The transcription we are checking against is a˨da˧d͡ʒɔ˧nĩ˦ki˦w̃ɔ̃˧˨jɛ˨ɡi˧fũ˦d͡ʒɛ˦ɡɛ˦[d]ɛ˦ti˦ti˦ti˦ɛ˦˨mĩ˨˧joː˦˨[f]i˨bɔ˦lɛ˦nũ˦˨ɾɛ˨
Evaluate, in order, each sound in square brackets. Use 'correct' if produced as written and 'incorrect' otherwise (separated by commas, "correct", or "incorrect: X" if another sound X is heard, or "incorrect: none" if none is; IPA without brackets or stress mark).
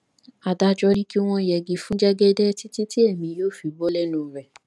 correct, correct